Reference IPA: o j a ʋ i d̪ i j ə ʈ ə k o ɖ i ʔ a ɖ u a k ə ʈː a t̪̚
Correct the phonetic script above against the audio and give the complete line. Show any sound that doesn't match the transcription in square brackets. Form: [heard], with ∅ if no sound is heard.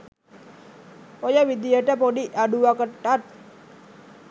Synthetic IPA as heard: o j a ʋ i d̪ i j ə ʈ ə [p] o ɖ i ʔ a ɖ u a k ə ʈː a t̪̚